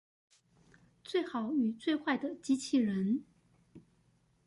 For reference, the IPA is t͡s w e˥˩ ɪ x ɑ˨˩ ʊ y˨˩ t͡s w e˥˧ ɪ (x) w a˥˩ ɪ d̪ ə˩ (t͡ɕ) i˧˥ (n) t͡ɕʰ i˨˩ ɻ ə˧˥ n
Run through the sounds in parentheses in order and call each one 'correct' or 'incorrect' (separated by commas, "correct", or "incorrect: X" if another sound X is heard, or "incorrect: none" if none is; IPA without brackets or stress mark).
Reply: correct, correct, incorrect: none